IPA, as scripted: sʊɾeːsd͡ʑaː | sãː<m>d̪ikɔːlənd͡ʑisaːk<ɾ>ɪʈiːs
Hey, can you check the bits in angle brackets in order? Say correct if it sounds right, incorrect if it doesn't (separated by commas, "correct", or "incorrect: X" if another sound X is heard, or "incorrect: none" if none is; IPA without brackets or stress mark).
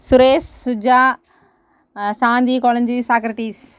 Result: incorrect: n, correct